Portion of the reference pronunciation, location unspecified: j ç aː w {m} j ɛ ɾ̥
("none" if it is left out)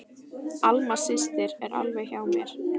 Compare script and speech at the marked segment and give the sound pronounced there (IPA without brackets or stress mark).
m